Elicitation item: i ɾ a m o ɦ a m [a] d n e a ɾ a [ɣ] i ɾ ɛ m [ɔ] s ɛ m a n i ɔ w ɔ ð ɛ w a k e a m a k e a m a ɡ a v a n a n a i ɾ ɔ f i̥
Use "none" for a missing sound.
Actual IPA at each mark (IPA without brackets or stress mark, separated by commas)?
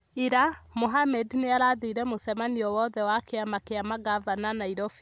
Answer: ɛ, ð, o